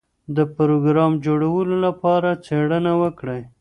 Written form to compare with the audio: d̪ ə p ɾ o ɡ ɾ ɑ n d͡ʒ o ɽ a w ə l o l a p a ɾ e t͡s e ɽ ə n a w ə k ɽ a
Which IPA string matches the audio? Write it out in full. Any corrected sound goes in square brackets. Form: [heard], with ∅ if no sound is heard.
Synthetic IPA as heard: d̪ ə p ɾ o ɡ ɾ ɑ [m] d͡ʒ o ɽ a w ə l o l a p [ɑ] ɾ [a] t͡s e ɽ ə n a w ə k ɽ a